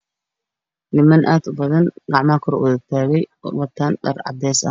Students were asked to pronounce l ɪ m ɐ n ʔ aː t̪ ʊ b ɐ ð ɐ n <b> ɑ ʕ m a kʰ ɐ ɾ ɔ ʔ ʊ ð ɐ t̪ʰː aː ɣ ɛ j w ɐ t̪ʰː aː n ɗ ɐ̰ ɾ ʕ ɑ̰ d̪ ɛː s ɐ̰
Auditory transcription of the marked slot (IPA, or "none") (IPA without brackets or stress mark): ɡ